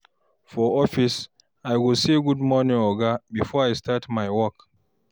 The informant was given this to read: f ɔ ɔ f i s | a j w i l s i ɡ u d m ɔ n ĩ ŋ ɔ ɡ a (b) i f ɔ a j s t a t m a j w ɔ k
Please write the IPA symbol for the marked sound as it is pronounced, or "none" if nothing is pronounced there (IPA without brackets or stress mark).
b